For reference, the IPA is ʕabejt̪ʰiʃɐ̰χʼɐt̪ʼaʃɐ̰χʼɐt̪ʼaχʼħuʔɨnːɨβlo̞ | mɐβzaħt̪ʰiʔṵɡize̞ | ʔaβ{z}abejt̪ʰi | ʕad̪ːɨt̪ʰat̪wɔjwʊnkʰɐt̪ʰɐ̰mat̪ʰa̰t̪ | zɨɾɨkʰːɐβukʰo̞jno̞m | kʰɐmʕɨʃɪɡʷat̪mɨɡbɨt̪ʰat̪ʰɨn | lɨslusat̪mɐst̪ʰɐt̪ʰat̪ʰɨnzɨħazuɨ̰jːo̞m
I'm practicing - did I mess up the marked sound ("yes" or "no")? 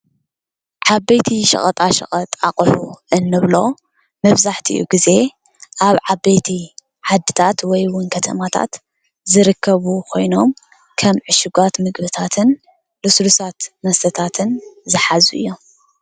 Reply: yes